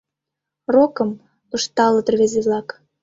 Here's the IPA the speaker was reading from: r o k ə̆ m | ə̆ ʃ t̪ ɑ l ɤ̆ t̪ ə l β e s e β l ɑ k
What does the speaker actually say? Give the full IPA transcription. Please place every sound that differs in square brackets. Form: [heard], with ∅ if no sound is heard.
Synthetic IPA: r o k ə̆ m | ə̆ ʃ t̪ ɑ l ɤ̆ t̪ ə [r] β e [z] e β l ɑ k